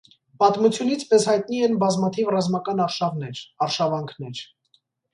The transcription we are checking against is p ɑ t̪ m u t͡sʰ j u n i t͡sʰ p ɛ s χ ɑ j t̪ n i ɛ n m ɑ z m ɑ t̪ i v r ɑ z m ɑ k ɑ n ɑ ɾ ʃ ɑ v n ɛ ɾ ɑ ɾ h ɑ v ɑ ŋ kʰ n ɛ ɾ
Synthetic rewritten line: p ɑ t̪ m u t͡sʰ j u n i t͡sʰ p ɛ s h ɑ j t̪ n i ɛ n b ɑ z m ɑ t̪ʰ i v r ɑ z m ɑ k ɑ n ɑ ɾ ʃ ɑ v n ɛ ɾ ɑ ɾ ʃ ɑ v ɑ ŋ kʰ n ɛ ɾ